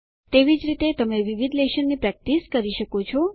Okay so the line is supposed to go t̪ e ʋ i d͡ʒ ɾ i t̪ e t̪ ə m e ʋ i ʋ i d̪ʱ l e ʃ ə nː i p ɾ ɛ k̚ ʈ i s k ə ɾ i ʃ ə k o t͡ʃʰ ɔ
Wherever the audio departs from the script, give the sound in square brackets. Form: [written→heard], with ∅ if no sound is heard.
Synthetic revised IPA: t̪ e ʋ i d͡ʒ ɾ i t̪ e t̪ ə m e ʋ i ʋ i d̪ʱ l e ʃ ə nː i p ɾ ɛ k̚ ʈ i s k ə ɾ i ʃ ə k o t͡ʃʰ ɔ